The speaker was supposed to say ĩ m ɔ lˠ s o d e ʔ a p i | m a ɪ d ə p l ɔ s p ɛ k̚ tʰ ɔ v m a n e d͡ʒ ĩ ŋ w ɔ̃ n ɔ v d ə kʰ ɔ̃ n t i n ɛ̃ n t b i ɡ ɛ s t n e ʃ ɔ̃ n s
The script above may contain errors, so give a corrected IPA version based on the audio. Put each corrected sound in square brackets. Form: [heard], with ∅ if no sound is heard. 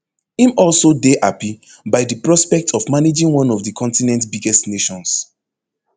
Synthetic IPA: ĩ m ɔ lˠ s o d e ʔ a p i | [b] a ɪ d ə p [ɹ] ɔ s p ɛ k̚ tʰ ɔ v m a n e d͡ʒ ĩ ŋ w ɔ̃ n ɔ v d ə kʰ ɔ̃ n t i n ɛ̃ n t b i ɡ ɛ s t n e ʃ ɔ̃ n s